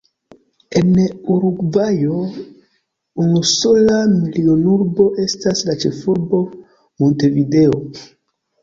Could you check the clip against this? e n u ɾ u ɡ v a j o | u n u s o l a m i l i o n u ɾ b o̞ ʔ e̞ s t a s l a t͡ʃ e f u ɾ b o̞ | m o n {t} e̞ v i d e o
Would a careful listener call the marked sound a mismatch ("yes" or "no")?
no